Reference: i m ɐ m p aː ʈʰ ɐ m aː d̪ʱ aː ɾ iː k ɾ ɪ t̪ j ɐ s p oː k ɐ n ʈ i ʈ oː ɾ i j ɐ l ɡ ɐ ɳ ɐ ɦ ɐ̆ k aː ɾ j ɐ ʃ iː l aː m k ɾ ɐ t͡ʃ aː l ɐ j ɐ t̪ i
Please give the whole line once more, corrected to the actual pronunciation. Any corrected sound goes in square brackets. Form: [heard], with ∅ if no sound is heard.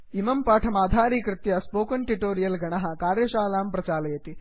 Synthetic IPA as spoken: i m ɐ m p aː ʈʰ ɐ m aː d̪ʱ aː ɾ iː k ɾ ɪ t̪ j ɐ s p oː k ɐ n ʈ i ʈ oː ɾ i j ɐ l ɡ ɐ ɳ ɐ ɦ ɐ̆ k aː ɾ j ɐ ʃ [aː] l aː m [p] ɾ ɐ t͡ʃ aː l ɐ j ɐ t̪ i